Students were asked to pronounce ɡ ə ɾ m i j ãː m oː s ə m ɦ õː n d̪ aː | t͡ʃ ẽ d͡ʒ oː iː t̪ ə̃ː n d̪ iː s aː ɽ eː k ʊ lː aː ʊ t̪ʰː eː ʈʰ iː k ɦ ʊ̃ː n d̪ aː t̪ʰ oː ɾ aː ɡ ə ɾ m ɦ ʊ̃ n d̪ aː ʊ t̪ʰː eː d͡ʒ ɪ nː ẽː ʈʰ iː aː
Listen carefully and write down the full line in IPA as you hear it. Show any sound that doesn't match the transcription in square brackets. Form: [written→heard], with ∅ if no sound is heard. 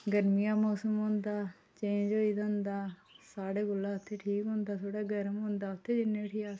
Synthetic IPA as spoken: ɡ ə ɾ m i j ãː m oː s ə m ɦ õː n d̪ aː | t͡ʃ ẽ d͡ʒ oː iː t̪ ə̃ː n d̪ [iː→aː] s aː ɽ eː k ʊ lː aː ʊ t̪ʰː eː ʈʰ iː k ɦ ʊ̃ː n d̪ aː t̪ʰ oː [ɾ→ɽ] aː ɡ ə ɾ m ɦ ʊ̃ n d̪ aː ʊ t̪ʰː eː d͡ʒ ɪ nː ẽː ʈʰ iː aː

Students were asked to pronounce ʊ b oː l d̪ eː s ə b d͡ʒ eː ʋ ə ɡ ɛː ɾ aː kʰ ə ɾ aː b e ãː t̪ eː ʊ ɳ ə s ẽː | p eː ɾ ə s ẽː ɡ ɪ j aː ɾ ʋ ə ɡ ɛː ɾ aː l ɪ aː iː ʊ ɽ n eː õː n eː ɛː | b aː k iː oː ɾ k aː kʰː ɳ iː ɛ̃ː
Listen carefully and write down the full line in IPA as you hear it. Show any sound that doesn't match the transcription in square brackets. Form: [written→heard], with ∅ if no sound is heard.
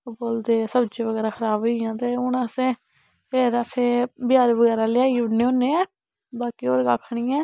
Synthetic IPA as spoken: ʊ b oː l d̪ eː s ə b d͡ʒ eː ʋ ə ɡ ɛː ɾ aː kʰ ə ɾ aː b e ãː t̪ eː ʊ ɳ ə s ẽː | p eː ɾ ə s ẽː [ɡ→b] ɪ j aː ɾ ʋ ə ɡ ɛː ɾ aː l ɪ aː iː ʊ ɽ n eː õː n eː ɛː | b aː k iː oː ɾ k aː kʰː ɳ iː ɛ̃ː

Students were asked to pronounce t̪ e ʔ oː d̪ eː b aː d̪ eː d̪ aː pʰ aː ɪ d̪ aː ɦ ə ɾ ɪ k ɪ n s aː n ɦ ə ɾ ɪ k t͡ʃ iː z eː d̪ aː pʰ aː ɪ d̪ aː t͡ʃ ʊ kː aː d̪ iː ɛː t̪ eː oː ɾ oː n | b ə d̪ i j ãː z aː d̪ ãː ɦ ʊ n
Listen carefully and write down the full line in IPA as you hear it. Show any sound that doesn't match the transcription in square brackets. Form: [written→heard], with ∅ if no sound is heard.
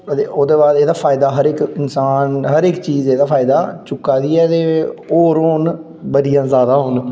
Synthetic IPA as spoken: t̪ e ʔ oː d̪ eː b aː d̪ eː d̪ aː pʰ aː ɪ d̪ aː ɦ ə ɾ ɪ k ɪ n s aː n ɦ ə ɾ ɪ k t͡ʃ iː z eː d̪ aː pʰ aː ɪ d̪ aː t͡ʃ ʊ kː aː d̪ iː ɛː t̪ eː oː ɾ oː n | b ə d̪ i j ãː z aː d̪ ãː ɦ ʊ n

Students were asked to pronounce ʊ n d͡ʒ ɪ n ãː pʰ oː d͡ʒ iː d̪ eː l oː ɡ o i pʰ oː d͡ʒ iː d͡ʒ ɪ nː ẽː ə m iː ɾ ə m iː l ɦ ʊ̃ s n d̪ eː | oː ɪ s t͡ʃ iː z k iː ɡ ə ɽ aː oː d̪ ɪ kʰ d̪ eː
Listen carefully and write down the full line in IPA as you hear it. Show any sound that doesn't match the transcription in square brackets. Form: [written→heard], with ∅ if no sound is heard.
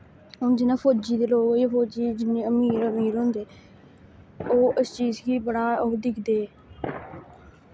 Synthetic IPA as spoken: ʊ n d͡ʒ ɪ n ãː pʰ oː d͡ʒ iː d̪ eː l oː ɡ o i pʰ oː d͡ʒ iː d͡ʒ ɪ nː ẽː ə m iː ɾ ə m iː [l→ɾ] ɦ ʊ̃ [s→∅] n d̪ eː | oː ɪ s t͡ʃ iː z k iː [ɡ→b] ə ɽ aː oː d̪ ɪ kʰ d̪ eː

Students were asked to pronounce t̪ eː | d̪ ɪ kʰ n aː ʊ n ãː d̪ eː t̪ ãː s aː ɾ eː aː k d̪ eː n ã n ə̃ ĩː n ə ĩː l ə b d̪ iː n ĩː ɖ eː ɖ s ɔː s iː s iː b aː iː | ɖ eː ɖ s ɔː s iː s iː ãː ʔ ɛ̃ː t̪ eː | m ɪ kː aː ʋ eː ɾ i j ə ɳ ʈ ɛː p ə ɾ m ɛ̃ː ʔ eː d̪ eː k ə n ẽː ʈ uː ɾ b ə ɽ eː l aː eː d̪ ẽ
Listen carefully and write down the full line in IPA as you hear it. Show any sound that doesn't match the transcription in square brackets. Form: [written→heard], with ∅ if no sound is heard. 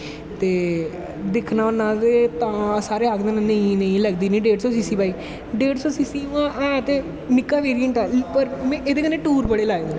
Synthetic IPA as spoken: t̪ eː | d̪ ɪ kʰ n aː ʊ n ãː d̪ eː t̪ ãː s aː ɾ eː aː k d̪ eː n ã n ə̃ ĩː n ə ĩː l ə [b→ɡ] d̪ iː n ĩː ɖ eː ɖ s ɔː s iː s iː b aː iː | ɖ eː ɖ s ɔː s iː s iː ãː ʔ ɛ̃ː t̪ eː | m ɪ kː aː ʋ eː ɾ i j ə ɳ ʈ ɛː p ə ɾ m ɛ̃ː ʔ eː d̪ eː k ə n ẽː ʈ uː ɾ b ə ɽ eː l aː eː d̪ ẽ

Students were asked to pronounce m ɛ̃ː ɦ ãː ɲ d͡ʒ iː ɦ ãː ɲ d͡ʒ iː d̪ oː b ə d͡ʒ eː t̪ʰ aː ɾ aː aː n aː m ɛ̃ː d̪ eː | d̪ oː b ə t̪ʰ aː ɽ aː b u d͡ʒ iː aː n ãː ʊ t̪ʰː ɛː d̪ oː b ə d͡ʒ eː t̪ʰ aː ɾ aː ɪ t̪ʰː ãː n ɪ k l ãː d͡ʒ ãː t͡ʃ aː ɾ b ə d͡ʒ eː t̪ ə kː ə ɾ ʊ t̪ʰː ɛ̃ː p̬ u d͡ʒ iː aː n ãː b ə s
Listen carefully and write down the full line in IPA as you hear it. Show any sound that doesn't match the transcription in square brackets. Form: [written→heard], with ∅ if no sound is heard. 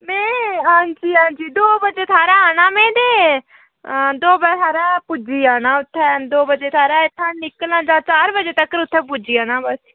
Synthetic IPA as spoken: m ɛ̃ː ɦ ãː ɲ d͡ʒ iː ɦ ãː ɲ d͡ʒ iː d̪ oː b ə d͡ʒ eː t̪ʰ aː ɾ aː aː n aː m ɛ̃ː d̪ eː | d̪ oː b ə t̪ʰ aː [ɽ→ɾ] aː [b→p] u d͡ʒ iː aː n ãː ʊ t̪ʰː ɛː d̪ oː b ə d͡ʒ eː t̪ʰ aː ɾ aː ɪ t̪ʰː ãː n ɪ k l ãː d͡ʒ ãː t͡ʃ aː ɾ b ə d͡ʒ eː t̪ ə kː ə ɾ ʊ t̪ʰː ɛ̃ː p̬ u d͡ʒ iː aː n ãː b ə s

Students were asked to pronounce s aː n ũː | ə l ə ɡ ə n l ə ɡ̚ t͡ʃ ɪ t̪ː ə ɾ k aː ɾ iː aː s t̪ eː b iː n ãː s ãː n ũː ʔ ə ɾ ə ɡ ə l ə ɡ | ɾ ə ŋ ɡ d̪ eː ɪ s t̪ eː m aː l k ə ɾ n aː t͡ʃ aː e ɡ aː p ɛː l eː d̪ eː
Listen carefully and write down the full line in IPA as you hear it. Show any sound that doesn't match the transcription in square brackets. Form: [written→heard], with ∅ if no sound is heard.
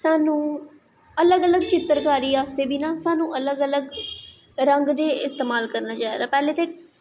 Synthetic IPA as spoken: s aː n ũː | ə l ə ɡ ə [n→∅] l ə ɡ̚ t͡ʃ ɪ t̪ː ə ɾ k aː ɾ iː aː s t̪ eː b iː n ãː s [ãː→aː] n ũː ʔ ə [ɾ→l] ə ɡ ə l ə ɡ | ɾ ə ŋ ɡ d̪ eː ɪ s t̪ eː m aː l k ə ɾ n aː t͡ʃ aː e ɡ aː p ɛː l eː [d̪→t̪] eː

